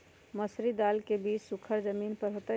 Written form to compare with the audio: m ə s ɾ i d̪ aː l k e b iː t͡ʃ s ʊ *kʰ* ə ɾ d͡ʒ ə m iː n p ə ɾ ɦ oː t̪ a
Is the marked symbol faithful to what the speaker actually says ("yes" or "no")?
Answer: yes